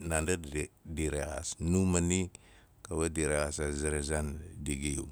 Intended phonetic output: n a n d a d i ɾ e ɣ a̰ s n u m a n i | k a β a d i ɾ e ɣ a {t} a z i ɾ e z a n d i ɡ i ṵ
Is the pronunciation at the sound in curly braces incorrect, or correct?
incorrect